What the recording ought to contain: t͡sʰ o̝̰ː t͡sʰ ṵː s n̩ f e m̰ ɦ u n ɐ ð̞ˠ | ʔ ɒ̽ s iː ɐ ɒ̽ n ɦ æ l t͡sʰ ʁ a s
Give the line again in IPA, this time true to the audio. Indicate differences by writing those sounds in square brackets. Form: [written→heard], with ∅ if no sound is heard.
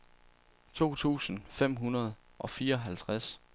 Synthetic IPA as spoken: t͡sʰ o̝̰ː t͡sʰ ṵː s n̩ f e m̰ ɦ u n ɐ ð̞ˠ | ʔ ɒ̽ [s→f] iː ɐ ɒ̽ [n→∅] ɦ æ l t͡sʰ ʁ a s